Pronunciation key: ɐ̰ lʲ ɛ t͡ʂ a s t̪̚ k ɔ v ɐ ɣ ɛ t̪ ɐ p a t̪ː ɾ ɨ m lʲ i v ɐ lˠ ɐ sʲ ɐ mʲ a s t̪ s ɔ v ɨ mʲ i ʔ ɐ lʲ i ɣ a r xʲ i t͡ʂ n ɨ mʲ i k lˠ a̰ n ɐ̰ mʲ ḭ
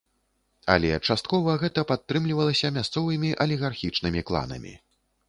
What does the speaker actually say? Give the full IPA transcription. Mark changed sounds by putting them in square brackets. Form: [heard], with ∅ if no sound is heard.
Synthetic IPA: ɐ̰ lʲ ɛ t͡ʂ a s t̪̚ k ɔ v ɐ ɣ ɛ t̪ ɐ p a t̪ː ɾ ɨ m lʲ i v ɐ lˠ ɐ sʲ ɐ mʲ a s t̪ s ɔ v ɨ mʲ i ʔ ɐ lʲ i ɣ a r xʲ i t͡ʂ n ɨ mʲ i k lˠ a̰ n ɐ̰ mʲ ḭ